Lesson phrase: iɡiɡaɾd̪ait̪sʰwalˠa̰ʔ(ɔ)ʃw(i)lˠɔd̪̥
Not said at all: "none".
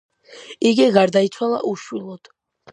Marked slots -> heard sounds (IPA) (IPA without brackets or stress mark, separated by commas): u, i